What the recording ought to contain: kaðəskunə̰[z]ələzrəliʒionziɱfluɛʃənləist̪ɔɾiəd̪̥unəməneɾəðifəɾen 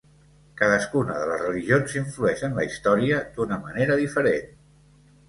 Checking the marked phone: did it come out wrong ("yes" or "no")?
yes